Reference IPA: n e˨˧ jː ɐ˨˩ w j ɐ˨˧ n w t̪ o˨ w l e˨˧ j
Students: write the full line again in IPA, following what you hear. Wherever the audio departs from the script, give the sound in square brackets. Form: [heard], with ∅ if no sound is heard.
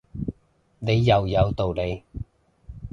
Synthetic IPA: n e˨˧ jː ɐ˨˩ w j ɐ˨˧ [∅] w t̪ o˨ w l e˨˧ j